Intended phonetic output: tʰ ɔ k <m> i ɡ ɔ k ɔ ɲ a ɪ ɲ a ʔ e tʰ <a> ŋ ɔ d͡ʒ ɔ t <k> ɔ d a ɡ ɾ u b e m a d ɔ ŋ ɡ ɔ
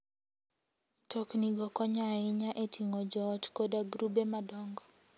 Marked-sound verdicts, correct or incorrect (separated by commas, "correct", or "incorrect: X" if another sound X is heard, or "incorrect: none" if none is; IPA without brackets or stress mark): incorrect: n, incorrect: i, correct